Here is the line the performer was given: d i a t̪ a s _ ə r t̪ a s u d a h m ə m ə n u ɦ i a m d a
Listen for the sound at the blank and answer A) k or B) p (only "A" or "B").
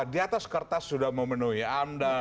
A